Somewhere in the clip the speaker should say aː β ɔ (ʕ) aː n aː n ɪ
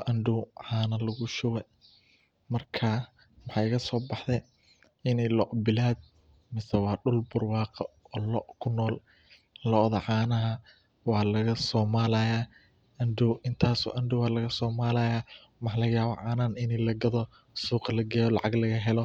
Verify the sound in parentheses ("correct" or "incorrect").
correct